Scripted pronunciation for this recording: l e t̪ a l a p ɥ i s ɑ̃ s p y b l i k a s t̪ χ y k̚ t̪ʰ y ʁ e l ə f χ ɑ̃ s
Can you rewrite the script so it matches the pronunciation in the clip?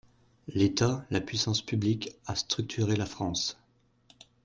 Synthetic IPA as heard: l e t̪ a l a p ɥ i s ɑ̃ s p y b l i k a s t̪ χ y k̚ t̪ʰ y ʁ e l a f χ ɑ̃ s